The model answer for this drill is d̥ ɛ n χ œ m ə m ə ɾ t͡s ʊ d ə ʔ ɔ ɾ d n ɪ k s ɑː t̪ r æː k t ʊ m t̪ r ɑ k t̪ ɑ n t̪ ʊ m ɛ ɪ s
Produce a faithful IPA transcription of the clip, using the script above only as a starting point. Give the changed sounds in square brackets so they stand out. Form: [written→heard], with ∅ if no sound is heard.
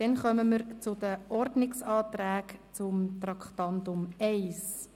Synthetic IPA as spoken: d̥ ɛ n χ œ m ə m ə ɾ t͡s ʊ d ə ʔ ɔ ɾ d n ɪ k s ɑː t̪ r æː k [t→t͡s] ʊ m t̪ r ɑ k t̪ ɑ n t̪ ʊ m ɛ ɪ s